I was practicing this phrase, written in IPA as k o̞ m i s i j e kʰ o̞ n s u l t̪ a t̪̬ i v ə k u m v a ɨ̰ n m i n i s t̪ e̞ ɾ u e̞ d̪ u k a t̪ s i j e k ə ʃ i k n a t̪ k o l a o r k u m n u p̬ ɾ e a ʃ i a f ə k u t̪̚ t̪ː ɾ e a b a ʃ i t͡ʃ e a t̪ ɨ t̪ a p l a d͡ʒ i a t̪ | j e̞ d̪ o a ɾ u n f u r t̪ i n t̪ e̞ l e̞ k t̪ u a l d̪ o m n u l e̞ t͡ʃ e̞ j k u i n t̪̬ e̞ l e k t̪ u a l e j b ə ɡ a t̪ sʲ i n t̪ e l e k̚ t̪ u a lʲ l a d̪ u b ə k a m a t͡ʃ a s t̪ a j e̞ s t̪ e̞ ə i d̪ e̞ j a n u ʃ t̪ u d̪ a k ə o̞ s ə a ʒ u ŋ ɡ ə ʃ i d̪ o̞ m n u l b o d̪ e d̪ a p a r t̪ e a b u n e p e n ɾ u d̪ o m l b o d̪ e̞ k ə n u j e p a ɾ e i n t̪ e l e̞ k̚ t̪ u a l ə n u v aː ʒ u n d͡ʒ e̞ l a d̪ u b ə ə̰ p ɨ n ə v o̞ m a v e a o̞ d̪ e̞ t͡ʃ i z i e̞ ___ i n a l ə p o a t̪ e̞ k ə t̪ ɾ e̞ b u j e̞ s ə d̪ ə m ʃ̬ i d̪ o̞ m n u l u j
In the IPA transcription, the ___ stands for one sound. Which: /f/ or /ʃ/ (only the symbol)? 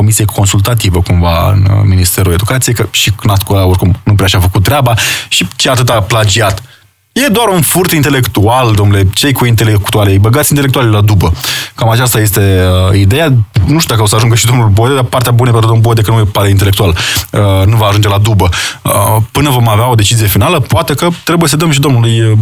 f